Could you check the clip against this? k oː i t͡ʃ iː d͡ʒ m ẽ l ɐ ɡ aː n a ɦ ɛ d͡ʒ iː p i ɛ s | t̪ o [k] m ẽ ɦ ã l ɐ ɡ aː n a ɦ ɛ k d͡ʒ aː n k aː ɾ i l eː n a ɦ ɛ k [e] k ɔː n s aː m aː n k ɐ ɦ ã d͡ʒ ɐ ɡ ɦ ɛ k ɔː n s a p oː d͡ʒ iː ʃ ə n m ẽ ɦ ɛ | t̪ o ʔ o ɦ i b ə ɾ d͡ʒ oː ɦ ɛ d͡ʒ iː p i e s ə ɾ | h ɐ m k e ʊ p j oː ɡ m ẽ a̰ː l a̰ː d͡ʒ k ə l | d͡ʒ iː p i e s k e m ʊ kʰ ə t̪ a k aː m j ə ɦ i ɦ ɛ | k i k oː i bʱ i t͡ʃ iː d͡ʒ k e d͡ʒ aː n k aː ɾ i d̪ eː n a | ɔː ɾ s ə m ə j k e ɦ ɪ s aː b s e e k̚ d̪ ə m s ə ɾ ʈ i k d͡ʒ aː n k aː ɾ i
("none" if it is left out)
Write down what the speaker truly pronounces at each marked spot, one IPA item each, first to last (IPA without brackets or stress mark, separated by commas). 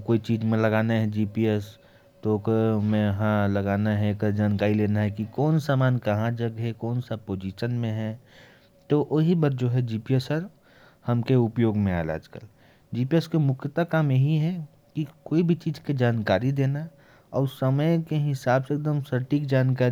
k, i